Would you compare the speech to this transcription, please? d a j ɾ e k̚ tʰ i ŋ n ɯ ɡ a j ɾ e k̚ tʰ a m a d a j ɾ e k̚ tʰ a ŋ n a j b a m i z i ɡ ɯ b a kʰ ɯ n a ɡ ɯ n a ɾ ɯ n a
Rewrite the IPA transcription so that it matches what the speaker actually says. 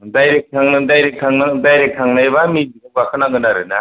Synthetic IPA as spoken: d a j ɾ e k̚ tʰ a ŋ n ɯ d a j ɾ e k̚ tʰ a ŋ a d a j ɾ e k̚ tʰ a ŋ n a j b a m i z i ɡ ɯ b a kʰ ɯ n a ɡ ɯ n a ɾ ɯ n a